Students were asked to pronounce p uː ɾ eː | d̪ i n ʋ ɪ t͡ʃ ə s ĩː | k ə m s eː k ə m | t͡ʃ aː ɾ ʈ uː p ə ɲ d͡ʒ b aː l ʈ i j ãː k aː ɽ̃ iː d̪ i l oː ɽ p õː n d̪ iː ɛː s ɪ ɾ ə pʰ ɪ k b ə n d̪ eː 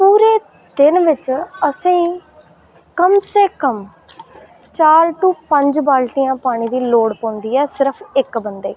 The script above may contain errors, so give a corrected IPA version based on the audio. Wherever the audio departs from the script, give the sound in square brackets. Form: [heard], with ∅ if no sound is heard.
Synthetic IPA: p uː ɾ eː | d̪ [ɪ] n ʋ ɪ t͡ʃ ə s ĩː | k ə m s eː k ə m | t͡ʃ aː ɾ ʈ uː p ə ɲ d͡ʒ b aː l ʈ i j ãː [p] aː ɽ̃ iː d̪ [iː] l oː ɽ p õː n d̪ iː ɛː s ɪ ɾ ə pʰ ɪ k b ə n d̪ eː